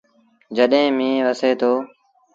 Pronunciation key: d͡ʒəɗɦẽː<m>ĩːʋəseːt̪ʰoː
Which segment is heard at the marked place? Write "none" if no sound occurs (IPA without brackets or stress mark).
m